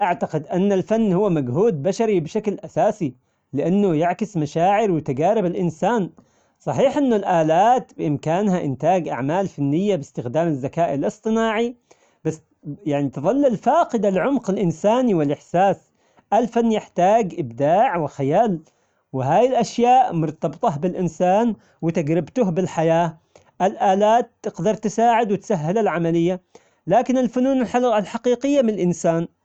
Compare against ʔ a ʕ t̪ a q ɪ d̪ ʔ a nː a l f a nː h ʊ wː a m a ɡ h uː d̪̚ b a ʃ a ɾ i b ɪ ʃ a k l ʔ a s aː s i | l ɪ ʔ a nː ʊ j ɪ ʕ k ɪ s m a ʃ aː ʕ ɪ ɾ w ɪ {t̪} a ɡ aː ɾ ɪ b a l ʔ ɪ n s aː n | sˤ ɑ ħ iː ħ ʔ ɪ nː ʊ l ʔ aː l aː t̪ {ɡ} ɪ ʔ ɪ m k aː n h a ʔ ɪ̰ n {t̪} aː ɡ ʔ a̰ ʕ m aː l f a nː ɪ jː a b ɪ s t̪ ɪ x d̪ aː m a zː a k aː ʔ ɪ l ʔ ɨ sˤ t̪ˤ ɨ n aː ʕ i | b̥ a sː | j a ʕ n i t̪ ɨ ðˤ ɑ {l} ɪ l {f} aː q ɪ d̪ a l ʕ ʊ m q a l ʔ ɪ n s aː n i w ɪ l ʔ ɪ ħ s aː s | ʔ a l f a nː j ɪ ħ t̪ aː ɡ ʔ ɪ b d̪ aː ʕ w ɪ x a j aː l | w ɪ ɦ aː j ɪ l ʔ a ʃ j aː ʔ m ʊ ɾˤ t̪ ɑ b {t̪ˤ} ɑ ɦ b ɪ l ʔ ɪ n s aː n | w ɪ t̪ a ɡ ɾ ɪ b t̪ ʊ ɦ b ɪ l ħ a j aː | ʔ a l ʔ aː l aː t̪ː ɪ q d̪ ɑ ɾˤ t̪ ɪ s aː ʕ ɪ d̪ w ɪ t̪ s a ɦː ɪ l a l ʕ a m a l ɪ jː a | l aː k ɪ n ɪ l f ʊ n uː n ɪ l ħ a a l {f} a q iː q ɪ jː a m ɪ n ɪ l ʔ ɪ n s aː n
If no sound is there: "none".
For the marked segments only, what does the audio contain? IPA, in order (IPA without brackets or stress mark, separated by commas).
t̪, b, t̪, lː, f, t̪ˤ, ħ